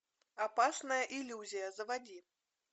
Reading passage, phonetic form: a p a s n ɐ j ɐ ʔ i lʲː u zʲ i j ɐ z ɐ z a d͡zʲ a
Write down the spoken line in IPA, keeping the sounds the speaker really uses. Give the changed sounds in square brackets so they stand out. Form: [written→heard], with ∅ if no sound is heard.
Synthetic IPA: a p a s n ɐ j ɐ ʔ i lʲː u zʲ i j ɐ z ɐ [z→v] a d͡zʲ [a→i]